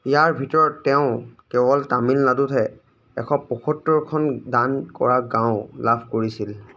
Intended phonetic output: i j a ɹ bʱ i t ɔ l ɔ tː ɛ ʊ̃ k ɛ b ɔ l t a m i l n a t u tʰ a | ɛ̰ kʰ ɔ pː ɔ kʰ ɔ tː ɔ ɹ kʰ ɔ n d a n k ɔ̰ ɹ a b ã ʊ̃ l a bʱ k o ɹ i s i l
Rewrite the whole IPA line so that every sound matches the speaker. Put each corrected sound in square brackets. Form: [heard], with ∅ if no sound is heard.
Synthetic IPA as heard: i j a ɹ bʱ i t ɔ [ɹ] ɔ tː ɛ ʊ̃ k ɛ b ɔ l t a m i l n a [d] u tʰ [ɛ] | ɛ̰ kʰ ɔ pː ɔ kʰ ɔ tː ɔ ɹ kʰ ɔ n d a n k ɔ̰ ɹ a [ɡ] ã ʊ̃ l a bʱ k o ɹ i s i l